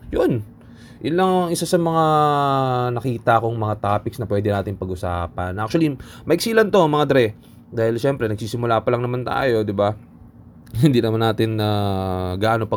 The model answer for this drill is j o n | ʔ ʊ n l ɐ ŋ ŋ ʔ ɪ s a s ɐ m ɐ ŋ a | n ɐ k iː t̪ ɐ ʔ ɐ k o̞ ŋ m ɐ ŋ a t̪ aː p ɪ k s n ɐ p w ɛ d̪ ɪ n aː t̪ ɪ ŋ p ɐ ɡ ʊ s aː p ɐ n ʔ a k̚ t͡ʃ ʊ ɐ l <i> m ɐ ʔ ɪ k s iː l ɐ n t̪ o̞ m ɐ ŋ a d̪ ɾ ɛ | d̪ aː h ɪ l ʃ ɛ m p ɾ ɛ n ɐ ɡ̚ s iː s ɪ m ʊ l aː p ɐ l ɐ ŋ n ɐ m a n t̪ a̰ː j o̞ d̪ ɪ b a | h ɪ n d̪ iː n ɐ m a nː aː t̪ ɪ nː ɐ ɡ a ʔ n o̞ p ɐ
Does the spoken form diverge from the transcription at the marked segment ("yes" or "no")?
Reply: no